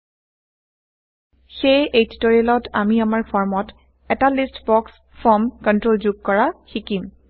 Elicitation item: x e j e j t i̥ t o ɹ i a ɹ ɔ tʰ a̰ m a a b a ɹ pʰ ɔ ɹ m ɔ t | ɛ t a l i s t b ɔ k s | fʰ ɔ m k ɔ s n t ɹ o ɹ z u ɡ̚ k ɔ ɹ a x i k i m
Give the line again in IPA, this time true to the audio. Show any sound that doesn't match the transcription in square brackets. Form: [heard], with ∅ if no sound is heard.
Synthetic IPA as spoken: x e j e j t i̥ t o ɹ i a [l] ɔ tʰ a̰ m [i] a [m] a ɹ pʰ ɔ ɹ m ɔ t | ɛ t a l i s t b ɔ k s | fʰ ɔ m k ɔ [∅] n t ɹ o [l] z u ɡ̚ k ɔ ɹ a x i k i m